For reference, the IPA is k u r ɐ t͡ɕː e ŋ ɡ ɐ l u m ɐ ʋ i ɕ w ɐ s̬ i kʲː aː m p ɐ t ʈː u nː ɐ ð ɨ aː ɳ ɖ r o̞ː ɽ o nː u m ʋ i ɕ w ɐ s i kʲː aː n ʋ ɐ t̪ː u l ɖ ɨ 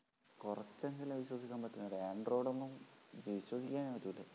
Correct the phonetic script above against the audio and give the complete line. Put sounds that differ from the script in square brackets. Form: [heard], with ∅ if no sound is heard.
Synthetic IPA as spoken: k u r ɐ t͡ɕː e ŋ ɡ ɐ l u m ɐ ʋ i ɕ w ɐ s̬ i kʲː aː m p ɐ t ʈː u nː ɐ ð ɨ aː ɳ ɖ r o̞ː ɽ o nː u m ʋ i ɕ w ɐ s i kʲː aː n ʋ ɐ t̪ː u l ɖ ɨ